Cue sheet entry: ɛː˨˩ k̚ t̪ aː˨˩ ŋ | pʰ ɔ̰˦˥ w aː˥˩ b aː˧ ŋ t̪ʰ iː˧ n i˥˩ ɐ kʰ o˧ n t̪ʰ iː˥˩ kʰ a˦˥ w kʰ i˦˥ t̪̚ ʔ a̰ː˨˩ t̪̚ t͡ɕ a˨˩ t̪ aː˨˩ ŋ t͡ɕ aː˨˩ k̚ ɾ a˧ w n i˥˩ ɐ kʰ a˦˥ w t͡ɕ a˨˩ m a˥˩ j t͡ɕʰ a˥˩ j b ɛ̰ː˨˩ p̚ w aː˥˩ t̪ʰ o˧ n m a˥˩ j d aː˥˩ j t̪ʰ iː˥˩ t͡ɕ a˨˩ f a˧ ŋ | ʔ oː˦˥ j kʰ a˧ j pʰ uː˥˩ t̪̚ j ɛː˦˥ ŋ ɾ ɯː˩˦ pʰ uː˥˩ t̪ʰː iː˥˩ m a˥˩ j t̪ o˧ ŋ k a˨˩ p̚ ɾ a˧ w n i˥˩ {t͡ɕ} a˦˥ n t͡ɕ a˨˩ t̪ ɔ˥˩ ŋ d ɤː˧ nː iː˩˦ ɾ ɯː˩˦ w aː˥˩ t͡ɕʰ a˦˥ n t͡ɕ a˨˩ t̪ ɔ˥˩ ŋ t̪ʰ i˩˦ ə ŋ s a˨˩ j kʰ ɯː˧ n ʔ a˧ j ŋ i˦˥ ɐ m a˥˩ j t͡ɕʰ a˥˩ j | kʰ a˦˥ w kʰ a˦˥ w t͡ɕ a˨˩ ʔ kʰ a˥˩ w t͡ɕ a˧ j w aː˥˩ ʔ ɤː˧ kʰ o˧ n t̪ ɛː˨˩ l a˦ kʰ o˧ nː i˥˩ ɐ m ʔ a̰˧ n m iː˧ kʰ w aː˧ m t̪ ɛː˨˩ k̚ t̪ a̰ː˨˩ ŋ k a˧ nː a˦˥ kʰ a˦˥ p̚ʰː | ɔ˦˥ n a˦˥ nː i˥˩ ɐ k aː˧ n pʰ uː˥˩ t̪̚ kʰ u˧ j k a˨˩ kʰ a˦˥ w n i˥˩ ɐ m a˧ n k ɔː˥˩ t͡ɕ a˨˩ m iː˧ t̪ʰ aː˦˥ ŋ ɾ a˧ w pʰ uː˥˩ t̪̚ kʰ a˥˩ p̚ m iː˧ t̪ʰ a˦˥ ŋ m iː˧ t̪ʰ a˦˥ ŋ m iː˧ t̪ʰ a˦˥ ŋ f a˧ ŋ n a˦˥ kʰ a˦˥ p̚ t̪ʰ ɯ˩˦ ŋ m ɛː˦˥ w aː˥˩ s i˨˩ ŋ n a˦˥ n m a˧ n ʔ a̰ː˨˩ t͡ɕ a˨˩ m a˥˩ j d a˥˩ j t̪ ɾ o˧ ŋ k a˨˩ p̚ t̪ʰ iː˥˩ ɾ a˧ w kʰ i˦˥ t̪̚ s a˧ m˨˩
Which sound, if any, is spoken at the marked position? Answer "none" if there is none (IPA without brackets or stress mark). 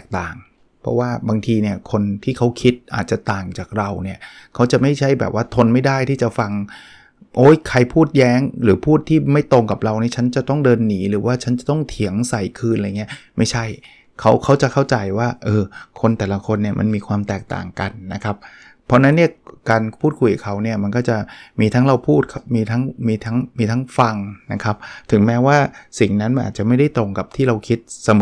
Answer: t͡ɕʰ